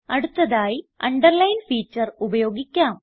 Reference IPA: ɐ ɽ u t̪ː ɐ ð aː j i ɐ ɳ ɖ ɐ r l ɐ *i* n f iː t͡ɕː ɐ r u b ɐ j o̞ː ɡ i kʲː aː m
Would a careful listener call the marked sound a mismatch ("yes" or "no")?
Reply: yes